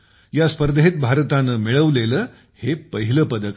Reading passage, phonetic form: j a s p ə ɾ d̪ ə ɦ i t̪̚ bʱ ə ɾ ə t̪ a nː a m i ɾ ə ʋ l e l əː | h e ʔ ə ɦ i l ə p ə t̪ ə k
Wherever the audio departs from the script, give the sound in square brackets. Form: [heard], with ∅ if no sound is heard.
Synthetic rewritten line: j a s p ə ɾ d̪ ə ɦ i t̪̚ bʱ [a] ɾ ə t̪ a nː [ə] m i [ɭ] ə ʋ l e l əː | h e [p] ə ɦ i l ə p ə [d̪] ə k